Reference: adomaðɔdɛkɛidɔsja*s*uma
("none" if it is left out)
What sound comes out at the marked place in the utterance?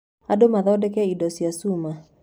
s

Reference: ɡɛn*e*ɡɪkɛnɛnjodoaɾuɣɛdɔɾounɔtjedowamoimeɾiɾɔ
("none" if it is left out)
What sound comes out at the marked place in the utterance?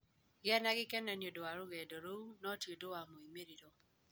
a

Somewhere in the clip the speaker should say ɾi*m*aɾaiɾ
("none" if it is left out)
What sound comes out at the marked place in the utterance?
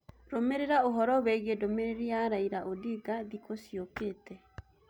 none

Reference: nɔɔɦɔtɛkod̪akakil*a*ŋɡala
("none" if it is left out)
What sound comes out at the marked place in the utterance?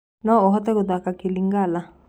i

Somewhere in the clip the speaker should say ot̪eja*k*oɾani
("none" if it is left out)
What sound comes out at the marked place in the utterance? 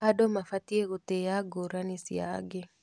ɡ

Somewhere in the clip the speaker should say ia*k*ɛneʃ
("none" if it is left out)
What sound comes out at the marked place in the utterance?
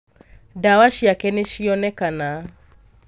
k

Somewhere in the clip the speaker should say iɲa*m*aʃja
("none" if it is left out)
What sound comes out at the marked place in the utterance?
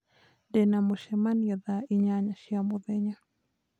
ɲ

